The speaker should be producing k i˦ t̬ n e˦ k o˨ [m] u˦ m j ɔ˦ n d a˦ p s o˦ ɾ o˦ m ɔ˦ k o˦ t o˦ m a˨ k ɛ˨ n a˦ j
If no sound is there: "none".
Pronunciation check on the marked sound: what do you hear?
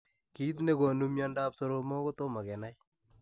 n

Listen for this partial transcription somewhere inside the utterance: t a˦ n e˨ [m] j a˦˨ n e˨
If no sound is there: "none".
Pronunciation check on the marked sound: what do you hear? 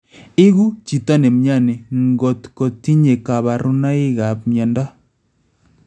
m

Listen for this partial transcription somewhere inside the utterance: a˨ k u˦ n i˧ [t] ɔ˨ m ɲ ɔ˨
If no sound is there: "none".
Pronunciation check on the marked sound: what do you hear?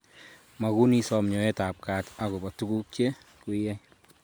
s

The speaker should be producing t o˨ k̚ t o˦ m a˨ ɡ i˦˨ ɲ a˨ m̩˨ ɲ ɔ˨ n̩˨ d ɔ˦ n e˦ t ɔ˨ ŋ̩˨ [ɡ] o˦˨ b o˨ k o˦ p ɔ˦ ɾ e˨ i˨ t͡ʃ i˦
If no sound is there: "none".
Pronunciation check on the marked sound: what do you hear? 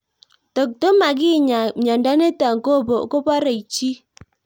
k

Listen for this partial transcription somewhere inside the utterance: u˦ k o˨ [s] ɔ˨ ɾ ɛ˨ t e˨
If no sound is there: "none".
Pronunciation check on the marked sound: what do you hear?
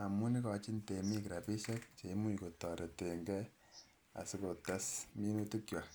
t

